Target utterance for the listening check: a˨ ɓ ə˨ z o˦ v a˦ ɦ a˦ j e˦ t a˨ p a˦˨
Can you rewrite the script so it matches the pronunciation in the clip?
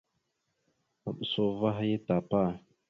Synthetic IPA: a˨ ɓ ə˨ s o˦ v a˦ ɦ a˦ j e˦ t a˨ p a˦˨